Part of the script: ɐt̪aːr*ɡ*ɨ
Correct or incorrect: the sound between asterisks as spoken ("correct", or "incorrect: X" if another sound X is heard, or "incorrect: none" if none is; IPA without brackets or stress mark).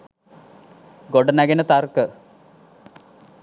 incorrect: k